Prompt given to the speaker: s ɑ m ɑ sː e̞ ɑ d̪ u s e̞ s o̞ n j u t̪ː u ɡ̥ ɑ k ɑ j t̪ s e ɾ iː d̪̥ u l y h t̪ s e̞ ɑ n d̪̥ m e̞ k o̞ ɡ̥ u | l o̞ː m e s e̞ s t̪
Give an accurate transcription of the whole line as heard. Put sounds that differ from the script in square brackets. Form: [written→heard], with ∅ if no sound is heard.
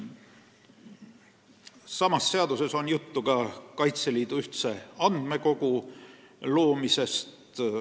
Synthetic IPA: s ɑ m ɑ sː e̞ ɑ d̪ u s e̞ s o̞ n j u t̪ː u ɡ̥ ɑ k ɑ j t̪ s e [ɾ→l] iː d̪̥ u [l→∅] y h t̪ s e̞ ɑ n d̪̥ m e̞ k o̞ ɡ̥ u | l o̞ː m [e→i] s e̞ s t̪